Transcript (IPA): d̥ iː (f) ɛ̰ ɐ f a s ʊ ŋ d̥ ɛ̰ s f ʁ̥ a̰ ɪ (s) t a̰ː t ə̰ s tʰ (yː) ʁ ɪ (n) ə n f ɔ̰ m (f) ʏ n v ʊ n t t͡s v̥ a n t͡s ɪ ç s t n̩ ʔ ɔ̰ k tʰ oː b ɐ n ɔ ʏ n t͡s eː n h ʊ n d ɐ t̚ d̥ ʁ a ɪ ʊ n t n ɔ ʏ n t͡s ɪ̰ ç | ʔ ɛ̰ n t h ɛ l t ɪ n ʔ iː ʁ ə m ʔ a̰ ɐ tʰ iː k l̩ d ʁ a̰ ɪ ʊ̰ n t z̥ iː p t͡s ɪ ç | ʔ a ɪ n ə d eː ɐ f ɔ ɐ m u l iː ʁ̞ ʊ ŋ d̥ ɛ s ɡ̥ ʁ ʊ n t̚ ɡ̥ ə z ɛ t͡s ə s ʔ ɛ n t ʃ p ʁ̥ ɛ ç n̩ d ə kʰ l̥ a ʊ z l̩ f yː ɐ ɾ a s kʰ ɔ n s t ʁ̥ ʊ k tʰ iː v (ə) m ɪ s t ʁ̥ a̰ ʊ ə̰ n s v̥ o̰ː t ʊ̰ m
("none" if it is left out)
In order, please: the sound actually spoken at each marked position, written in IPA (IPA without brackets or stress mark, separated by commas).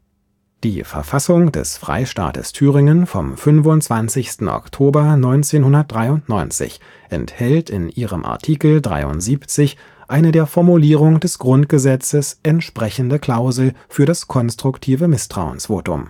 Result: f, ʃ, yː, ŋ, f, ə